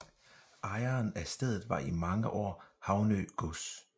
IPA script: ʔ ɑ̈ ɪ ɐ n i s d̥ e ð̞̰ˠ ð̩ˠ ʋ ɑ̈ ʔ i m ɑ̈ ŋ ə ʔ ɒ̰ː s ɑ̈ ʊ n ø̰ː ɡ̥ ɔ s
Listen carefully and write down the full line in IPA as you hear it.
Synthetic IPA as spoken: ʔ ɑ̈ ɪ ɐ n æ s d̥ e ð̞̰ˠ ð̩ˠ ʋ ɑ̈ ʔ i m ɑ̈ ŋ ə ʔ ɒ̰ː h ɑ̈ ʊ n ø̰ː ɡ̥ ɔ s